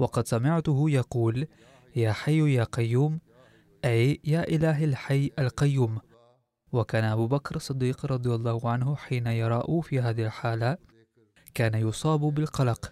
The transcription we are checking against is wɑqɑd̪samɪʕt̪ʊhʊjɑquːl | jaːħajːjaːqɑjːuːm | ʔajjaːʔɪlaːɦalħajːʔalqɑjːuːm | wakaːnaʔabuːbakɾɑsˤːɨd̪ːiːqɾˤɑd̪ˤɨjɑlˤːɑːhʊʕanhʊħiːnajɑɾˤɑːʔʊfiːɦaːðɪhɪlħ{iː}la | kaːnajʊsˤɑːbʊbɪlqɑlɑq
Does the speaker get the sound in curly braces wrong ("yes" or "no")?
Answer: yes